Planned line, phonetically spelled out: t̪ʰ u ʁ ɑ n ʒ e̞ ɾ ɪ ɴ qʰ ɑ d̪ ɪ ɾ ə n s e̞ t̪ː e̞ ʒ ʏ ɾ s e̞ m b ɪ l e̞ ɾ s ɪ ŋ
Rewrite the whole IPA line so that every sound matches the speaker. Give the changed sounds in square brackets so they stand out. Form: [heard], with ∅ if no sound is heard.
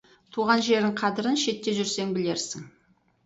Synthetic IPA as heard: t̪ʰ u ʁ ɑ n ʒ e̞ ɾ ɪ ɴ qʰ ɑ d̪ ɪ ɾ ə n [ʃ] e̞ t̪ː e̞ ʒ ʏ ɾ s e̞ [ŋ] b ɪ l e̞ ɾ s ɪ ŋ